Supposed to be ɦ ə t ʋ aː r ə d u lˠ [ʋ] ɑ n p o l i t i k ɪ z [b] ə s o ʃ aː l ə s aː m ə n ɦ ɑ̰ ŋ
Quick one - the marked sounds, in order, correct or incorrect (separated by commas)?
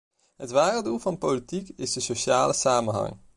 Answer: incorrect, incorrect